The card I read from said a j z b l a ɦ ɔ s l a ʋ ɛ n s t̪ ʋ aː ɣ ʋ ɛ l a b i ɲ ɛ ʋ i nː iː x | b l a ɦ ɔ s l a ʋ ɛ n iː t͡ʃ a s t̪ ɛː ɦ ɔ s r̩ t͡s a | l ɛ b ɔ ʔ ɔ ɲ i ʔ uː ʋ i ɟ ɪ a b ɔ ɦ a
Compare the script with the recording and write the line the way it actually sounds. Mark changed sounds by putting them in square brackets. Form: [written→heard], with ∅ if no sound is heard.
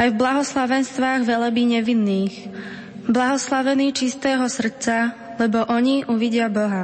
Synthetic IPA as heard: a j [z→v] b l a ɦ ɔ s l a ʋ ɛ n s t̪ ʋ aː ɣ ʋ ɛ l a b i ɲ ɛ ʋ i nː iː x | b l a ɦ ɔ s l a ʋ ɛ n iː t͡ʃ [a→i] s t̪ ɛː ɦ ɔ s r̩ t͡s a | l ɛ b ɔ ʔ ɔ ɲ i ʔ [uː→u] ʋ i ɟ ɪ a b ɔ ɦ a